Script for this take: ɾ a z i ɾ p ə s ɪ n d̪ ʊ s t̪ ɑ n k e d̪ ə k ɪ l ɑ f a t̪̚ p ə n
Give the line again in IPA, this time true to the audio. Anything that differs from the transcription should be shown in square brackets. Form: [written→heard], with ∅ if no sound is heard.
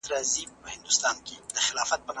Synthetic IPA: ɾ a z i [ɾ→∅] p ə [s→h] ɪ n d̪ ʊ s t̪ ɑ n k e d̪ ə [k→x] ɪ l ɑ f a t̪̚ p ə n